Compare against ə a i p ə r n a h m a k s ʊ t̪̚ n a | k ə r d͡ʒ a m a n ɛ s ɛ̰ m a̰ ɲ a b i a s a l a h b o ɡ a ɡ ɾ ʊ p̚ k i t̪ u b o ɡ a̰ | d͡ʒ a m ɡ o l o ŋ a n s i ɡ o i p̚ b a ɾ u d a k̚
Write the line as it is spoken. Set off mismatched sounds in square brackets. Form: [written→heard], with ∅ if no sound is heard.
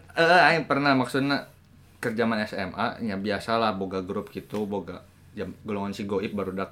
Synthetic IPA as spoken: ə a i p ə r n a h m a k s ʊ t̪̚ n a | k ə r d͡ʒ a m a n ɛ s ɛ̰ m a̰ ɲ a b i a s a l a h b o ɡ a ɡ ɾ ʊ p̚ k i t̪ u b o ɡ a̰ | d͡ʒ a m ɡ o l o ŋ a n s i ɡ o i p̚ b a ɾ u d a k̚